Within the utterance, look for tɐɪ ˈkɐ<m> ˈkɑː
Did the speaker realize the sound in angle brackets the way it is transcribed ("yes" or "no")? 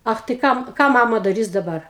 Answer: yes